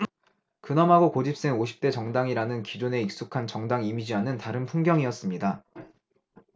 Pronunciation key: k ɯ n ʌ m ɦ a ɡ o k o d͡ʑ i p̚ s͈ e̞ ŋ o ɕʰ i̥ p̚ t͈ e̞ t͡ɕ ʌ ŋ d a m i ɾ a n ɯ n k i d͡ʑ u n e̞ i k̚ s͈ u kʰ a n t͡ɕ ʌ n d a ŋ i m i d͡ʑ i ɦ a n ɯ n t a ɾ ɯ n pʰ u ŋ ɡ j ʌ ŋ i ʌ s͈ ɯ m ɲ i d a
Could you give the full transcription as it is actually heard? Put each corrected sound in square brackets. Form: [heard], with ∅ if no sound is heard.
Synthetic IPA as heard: k ɯ n ʌ m ɦ a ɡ o k o d͡ʑ i p̚ s͈ e̞ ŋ o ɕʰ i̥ p̚ t͈ e̞ t͡ɕ ʌ ŋ d a [ŋ] i ɾ a n ɯ n k i d͡ʑ u n e̞ i k̚ s͈ u kʰ a n t͡ɕ ʌ [ŋ] d a ŋ i m i d͡ʑ i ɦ a n ɯ n t a ɾ ɯ n pʰ u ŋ ɡ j ʌ ŋ i ʌ s͈ ɯ m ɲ i d a